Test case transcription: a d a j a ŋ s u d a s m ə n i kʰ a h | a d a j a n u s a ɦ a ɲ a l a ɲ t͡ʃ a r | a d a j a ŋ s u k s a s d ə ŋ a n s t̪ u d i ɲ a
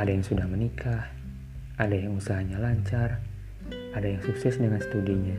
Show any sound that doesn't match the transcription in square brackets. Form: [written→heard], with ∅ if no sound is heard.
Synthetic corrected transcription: a d a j a ŋ s u d a [s→h] m ə n i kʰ a h | a d a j a [n→ŋ] u s a ɦ a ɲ a l a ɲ t͡ʃ a r | a d a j a ŋ s u k s [a→ɛ] s d ə ŋ a n s t̪ u d i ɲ a